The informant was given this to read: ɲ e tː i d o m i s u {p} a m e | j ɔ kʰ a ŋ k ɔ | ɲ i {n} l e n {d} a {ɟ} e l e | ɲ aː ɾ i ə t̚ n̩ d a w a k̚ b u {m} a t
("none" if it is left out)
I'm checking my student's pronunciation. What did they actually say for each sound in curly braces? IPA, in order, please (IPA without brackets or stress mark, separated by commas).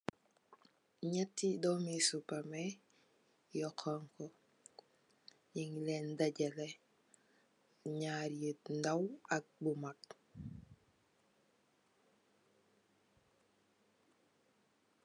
p, ŋ, d, ɟ, m